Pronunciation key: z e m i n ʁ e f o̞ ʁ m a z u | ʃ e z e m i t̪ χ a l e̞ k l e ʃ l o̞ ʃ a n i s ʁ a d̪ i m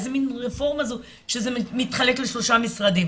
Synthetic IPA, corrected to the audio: z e m i n ʁ e f o̞ ʁ m a z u | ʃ e z e m i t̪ χ a l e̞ k l e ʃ l o̞ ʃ a m i s ʁ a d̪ i m